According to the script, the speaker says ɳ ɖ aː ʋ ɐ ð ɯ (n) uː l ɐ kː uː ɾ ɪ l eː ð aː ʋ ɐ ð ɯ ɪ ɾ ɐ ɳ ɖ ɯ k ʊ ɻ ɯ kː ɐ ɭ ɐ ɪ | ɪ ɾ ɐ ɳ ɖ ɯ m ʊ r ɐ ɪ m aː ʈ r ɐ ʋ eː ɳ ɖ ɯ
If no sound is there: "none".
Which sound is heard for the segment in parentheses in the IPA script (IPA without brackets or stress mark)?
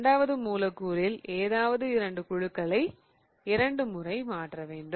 m